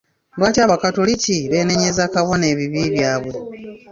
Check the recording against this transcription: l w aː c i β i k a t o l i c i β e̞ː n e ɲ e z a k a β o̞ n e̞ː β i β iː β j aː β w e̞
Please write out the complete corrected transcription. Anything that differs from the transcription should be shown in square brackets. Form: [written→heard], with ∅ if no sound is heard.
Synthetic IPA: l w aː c [i→a] β [i→a] k a t o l i c i β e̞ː n e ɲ e z a k a β o̞ n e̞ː β i β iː β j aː β w e̞